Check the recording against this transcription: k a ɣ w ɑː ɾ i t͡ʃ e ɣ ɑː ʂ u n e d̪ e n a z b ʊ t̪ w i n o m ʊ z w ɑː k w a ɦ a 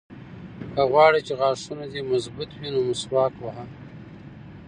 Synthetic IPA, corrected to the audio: k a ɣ w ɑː ɽ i t͡ʃ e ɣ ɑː ʂ u n a d̪ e m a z b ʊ t̪ w i n o m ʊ s w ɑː k w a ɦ a

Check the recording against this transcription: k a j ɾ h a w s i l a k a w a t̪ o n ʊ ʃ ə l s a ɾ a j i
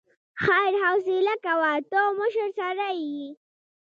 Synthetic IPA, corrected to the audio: x a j ɾ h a w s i l a k a w a t̪ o m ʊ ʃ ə ɾ s a ɾ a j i

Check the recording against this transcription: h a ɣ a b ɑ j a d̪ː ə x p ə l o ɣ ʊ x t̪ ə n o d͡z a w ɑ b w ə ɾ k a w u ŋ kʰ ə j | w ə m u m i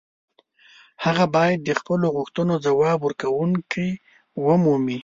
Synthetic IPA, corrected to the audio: h a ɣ a b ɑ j a d̪ː ə x p ə l o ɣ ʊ x t̪ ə n o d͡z a w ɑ b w ə ɾ k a w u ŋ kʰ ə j | w ə m u m i

